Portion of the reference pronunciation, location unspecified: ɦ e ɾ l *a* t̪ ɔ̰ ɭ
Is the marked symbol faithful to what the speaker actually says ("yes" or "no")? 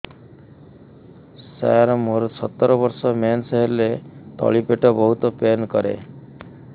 no